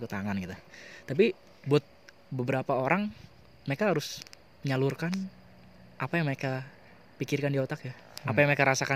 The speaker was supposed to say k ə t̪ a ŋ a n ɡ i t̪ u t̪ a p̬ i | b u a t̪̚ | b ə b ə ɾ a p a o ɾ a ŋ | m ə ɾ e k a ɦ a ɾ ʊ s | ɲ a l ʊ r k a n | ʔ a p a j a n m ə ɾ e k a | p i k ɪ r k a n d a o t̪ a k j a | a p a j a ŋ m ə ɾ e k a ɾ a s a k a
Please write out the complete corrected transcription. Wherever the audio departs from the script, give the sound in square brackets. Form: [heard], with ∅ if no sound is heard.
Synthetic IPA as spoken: k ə t̪ a ŋ a n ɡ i t̪ u t̪ a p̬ i | b u a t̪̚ | b ə b ə ɾ a p a o ɾ a ŋ | m ə ɾ e k a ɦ a ɾ ʊ s | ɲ a l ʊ r k a n | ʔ a p a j a [ŋ] m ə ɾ e k a | p i k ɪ r k a n d [i] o t̪ a k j a | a p a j a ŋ m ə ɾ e k a ɾ a s a k a